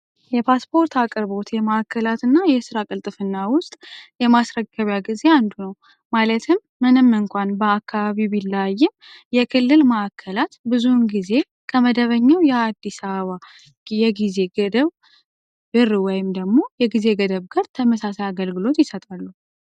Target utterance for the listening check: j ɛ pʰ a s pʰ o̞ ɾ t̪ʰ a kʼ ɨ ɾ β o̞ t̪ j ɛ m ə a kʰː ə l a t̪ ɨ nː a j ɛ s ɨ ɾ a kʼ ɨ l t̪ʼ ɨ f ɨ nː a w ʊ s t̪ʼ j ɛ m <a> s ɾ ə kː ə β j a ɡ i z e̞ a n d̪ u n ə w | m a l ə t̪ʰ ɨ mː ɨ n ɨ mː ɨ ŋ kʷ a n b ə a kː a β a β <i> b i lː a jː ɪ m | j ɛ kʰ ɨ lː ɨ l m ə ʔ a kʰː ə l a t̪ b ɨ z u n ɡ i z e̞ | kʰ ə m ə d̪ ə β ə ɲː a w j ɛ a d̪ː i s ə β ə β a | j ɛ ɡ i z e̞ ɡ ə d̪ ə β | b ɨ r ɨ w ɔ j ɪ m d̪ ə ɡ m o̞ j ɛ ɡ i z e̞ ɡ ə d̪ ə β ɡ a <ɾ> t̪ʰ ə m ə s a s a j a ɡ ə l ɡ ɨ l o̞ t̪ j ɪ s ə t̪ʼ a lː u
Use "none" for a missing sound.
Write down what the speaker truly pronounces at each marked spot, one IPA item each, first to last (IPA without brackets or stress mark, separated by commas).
a, i, ɾ